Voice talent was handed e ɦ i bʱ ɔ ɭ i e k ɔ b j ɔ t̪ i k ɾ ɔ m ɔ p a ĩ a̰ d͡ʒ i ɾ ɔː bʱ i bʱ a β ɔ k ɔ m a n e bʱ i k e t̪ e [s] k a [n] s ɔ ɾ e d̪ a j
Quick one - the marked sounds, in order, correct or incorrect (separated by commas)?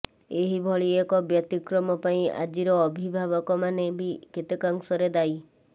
incorrect, incorrect